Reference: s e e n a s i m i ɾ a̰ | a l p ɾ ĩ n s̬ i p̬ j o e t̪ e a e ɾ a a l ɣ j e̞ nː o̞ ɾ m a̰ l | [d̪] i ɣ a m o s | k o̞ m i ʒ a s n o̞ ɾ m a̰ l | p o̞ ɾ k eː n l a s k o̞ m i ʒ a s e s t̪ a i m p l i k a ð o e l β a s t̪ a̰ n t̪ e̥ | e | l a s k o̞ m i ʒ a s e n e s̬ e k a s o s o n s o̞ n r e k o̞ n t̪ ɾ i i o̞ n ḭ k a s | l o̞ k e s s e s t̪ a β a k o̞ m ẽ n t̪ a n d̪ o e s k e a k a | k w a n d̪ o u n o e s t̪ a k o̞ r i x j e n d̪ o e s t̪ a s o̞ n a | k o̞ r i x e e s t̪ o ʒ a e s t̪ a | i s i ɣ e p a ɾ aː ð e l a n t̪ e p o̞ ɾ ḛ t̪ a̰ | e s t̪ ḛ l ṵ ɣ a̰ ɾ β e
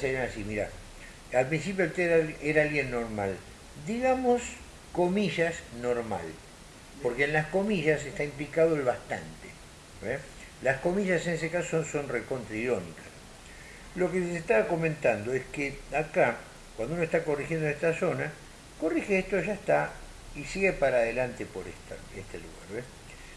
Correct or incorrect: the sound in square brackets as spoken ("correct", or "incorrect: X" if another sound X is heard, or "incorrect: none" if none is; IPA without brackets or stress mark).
correct